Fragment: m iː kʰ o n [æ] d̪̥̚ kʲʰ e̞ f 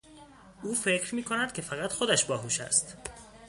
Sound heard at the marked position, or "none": æ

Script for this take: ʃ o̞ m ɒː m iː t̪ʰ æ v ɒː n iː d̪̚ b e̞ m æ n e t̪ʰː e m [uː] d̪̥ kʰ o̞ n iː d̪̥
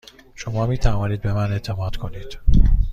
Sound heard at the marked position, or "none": ɒː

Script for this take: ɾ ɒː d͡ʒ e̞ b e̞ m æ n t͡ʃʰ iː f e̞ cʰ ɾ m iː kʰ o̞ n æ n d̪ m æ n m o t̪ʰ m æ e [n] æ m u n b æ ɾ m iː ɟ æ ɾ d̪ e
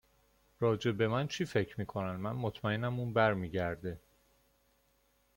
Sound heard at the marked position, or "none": n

